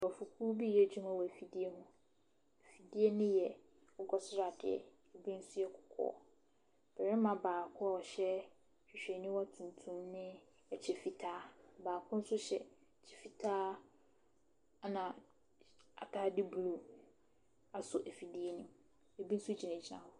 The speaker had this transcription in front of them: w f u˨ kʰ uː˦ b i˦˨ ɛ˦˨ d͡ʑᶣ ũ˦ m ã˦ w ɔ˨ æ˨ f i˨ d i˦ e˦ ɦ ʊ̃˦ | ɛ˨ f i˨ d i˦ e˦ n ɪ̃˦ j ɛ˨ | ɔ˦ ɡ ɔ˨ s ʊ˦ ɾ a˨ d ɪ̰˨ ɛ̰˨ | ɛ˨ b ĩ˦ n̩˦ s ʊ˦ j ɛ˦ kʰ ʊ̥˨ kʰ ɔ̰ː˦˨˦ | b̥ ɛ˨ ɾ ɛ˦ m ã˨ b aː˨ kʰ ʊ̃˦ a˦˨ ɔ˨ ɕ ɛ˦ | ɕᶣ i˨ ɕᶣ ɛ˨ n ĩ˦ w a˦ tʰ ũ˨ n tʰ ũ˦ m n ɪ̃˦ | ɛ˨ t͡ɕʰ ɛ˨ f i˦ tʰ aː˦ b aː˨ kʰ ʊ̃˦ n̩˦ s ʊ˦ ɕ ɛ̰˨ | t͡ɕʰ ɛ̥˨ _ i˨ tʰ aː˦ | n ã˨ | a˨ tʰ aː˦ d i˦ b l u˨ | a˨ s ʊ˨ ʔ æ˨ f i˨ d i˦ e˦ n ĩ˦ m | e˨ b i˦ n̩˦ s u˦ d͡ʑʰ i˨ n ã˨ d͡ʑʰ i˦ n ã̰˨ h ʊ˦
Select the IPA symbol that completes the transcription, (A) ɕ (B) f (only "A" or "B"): B